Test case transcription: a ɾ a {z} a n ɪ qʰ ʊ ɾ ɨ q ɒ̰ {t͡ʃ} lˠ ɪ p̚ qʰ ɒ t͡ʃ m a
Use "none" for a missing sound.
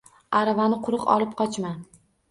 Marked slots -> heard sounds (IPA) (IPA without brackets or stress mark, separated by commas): v, none